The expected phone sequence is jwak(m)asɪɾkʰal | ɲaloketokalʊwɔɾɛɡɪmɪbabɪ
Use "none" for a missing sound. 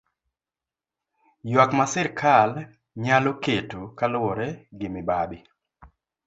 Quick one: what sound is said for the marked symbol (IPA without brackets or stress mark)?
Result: m